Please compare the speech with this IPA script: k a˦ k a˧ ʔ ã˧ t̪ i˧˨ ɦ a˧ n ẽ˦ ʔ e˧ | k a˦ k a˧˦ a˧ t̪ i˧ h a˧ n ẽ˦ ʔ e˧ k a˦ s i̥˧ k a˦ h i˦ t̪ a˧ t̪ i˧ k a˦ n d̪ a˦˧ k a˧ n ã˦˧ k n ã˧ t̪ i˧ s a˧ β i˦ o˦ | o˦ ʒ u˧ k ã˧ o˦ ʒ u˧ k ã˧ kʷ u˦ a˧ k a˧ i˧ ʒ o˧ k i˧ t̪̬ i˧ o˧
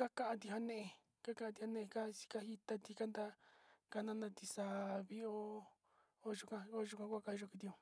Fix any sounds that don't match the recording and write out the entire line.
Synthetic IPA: k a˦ k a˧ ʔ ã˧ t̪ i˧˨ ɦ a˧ n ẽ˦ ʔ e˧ | k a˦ k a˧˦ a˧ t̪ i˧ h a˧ n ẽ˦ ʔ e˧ k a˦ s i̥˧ k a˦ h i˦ t̪ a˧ t̪ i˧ k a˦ n d̪ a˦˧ k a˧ n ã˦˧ n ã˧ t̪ i˧ s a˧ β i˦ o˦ | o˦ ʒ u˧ k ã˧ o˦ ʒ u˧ k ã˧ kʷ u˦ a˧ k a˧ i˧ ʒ o˧ k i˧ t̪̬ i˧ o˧